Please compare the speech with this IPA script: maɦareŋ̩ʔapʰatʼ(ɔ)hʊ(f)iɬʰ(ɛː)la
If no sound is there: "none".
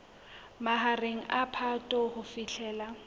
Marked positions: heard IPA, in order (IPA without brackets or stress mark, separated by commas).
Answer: ɔ, f, ɛː